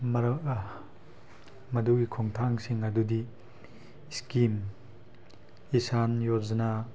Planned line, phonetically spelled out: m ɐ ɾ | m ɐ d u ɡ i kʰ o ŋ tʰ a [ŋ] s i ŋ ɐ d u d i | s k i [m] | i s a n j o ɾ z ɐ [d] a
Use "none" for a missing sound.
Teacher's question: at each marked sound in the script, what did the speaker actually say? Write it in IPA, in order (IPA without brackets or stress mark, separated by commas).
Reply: ŋ, m, n